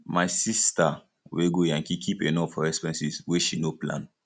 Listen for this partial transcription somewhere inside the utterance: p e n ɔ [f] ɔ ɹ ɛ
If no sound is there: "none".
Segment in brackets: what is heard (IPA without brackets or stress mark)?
f